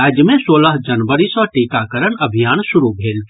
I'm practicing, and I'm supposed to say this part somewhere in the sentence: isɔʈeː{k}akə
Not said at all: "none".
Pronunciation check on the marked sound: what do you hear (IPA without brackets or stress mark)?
k